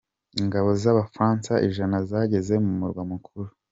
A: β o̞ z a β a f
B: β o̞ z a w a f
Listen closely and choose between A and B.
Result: A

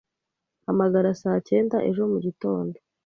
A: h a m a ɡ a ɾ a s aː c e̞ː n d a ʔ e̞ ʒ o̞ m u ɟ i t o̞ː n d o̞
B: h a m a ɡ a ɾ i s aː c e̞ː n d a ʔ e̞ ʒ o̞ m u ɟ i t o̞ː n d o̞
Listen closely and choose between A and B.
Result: A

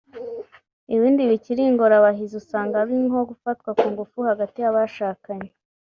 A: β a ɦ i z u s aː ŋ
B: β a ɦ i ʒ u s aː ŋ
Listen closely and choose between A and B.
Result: A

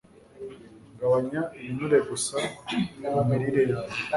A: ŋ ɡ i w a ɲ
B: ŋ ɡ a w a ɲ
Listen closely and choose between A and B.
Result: B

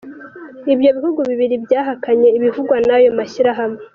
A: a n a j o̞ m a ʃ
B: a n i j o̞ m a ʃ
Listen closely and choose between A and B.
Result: A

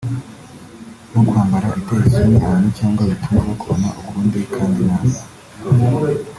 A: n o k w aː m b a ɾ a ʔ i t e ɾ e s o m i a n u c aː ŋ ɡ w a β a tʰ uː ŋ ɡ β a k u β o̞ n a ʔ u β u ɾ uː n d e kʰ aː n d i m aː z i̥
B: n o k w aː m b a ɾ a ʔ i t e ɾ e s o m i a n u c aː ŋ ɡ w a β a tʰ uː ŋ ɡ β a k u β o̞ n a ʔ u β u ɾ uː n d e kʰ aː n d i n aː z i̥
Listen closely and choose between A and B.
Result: B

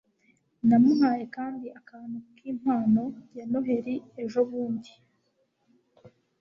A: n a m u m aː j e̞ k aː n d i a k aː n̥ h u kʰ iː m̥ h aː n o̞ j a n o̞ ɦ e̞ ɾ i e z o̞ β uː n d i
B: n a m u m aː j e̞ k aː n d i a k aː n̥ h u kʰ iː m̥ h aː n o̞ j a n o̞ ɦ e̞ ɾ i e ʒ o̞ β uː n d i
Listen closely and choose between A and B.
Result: B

